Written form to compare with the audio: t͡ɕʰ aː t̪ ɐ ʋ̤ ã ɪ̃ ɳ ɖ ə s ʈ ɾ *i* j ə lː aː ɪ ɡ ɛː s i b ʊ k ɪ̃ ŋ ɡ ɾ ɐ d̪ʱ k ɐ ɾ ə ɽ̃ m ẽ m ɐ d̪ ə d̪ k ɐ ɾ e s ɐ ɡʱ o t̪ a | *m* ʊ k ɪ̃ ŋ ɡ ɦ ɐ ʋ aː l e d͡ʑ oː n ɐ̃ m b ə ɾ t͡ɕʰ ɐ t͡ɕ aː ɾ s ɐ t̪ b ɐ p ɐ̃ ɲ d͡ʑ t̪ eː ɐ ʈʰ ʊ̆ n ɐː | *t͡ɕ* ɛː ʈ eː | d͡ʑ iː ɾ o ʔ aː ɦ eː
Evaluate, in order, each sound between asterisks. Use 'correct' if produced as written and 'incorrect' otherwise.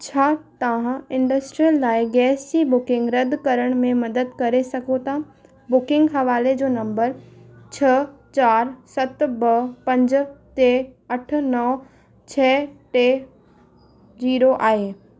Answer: correct, incorrect, incorrect

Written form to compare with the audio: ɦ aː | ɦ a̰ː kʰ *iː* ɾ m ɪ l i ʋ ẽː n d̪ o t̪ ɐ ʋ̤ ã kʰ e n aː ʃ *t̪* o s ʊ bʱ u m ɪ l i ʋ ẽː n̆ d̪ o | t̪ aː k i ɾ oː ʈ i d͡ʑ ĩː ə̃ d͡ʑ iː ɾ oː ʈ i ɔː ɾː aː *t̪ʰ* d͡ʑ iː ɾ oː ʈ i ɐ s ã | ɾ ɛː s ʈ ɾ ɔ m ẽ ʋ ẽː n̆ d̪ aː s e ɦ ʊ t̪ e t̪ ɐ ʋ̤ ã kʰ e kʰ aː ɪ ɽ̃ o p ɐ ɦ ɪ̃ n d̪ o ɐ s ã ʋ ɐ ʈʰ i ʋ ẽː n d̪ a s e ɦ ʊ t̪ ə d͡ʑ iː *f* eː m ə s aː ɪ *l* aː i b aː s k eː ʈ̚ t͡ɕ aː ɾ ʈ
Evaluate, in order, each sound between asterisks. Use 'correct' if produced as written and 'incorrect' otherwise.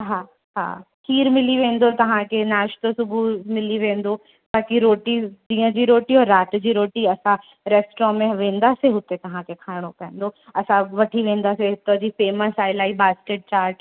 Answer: correct, correct, incorrect, correct, correct

